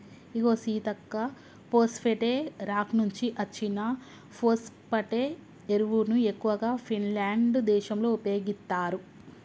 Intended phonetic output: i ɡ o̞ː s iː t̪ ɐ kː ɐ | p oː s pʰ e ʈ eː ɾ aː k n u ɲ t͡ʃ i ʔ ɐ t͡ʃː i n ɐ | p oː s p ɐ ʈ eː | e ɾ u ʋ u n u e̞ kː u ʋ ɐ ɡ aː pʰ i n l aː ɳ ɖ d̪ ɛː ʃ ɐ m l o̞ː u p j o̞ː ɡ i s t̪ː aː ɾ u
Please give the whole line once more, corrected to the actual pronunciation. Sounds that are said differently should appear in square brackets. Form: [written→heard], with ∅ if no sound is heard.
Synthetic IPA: i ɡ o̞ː s iː t̪ ɐ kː ɐ | p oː s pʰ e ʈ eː ɾ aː k n u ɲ t͡ʃ i ʔ ɐ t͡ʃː i n ɐ | p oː s p ɐ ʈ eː | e ɾ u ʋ u n u e̞ kː u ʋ ɐ ɡ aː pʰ i n l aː ɳ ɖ d̪ ɛː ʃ ɐ m l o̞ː u p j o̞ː ɡ i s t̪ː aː ɾ u